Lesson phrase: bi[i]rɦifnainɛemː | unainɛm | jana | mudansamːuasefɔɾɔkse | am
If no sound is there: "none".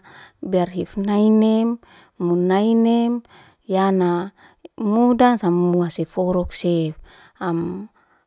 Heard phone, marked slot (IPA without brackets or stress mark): a